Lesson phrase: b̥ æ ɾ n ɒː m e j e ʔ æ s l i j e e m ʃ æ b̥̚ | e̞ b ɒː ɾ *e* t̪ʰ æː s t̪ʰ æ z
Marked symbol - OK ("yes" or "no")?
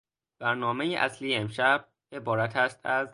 no